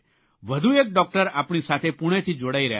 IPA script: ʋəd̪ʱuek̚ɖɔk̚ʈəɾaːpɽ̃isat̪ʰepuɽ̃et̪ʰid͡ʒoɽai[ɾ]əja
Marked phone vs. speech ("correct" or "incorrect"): correct